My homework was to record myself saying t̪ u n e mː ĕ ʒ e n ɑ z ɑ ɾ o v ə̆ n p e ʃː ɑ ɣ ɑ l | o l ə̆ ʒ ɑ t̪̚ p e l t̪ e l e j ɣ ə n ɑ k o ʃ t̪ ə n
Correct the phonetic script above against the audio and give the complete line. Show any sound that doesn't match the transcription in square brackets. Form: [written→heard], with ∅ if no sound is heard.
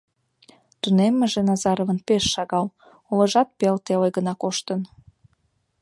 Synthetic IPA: t̪ u n e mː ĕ ʒ e n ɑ z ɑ ɾ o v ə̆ n p e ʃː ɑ ɣ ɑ l | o l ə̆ ʒ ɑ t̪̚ p e l t̪ e l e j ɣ ə n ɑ k o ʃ t̪ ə n